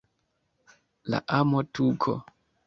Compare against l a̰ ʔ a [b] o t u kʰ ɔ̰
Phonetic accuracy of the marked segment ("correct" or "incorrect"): incorrect